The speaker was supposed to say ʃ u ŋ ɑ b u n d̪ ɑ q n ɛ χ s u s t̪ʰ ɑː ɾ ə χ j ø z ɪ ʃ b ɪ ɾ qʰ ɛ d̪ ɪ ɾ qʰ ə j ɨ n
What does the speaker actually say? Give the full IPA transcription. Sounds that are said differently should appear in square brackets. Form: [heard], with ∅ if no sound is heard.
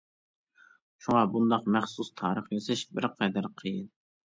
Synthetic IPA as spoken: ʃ u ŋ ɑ b u n d̪ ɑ q [m] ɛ χ s u s t̪ʰ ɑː ɾ ə χ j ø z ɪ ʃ b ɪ ɾ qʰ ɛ d̪ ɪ ɾ qʰ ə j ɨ n